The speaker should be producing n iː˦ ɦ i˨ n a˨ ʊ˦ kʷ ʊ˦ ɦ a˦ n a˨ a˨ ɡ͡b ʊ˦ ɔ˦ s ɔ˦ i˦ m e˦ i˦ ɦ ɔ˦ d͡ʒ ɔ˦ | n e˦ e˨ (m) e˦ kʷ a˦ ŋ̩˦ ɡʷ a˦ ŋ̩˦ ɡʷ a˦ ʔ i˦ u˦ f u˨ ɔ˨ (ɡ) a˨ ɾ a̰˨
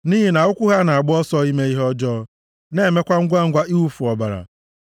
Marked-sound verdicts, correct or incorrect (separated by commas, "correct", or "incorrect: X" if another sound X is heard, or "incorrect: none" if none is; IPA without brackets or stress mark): correct, incorrect: b